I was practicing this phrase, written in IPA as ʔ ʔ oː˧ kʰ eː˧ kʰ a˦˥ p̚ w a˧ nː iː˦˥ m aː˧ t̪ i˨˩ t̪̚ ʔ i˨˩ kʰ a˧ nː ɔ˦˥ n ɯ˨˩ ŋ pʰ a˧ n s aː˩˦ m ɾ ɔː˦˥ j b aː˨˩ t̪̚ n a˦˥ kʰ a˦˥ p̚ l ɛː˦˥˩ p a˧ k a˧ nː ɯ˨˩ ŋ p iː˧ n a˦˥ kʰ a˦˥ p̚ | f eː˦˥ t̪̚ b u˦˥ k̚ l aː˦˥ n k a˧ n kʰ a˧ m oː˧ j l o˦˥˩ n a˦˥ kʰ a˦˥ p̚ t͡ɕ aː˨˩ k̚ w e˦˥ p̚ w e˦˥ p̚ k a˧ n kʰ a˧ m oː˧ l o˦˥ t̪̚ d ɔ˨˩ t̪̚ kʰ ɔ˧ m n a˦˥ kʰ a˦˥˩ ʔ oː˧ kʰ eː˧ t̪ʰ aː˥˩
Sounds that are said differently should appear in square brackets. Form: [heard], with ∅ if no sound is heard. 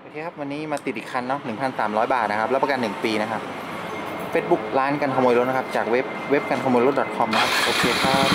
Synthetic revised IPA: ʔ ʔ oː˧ kʰ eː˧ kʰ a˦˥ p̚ w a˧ nː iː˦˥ m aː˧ t̪ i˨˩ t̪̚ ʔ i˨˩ kʰ a˧ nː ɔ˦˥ n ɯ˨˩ ŋ pʰ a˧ n s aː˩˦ m ɾ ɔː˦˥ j b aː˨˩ t̪̚ n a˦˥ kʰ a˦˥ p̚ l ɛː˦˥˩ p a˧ k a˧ nː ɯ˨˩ ŋ p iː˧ n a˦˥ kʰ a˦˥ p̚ | f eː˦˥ t̪̚ b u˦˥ k̚ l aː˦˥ n k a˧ n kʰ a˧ m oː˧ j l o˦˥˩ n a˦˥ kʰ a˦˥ p̚ t͡ɕ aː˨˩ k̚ w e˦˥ p̚ w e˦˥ p̚ k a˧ n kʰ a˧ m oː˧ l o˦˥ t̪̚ d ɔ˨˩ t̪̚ kʰ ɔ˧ m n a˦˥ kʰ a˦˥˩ ʔ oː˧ kʰ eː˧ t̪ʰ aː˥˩